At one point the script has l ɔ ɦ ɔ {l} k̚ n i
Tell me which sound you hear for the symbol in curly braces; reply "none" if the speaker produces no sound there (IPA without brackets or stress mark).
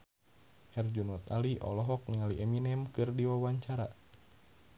none